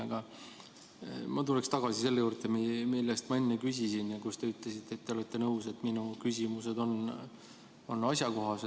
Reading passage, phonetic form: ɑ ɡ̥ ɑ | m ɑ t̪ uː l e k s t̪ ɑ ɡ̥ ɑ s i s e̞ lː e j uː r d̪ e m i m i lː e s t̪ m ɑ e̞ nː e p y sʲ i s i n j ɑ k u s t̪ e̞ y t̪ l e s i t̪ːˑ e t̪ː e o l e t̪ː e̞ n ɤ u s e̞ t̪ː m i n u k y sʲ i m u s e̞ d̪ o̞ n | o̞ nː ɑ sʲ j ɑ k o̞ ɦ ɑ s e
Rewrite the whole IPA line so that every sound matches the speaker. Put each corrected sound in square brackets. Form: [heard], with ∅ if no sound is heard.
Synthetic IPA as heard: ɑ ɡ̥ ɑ | m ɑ t̪ [u] l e k s t̪ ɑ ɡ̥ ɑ s i s e̞ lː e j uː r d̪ e m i m i lː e s t̪ m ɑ e̞ nː e [k] y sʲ i s i n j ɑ k u s t̪ e̞ y t̪ l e s i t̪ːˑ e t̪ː e o l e t̪ː e̞ n ɤ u s e̞ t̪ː m i n u k y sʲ i m u s e̞ d̪ o̞ n | o̞ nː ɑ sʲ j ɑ k o̞ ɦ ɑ s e